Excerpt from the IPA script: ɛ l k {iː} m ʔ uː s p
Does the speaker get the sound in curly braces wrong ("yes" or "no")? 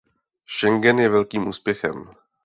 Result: no